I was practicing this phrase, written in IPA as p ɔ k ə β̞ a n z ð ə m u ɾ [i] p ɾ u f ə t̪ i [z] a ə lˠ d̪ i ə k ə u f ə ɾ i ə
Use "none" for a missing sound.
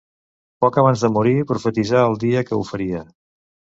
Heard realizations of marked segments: i, z

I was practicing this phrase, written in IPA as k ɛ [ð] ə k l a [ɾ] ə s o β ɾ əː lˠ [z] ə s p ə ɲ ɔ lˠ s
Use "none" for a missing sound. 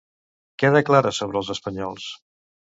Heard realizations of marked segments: ð, ɾ, z

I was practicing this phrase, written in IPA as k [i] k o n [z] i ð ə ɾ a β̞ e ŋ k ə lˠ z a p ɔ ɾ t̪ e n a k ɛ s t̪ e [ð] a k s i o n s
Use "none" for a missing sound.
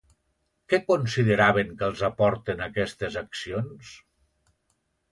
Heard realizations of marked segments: ɛ, s, z

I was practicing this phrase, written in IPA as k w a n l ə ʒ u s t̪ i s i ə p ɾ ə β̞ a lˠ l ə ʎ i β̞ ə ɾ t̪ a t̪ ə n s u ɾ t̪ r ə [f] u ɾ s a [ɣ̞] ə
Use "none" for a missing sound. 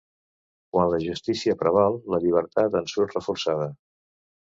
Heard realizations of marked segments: f, ð̞

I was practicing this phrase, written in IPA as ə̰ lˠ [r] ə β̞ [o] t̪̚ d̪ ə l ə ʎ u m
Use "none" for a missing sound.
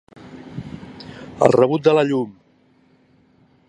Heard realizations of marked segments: r, u

